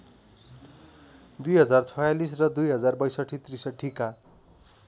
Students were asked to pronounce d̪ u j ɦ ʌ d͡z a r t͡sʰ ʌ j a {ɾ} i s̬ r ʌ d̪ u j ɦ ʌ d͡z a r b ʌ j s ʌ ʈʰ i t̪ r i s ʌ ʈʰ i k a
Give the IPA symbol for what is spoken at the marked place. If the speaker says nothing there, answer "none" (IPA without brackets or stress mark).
l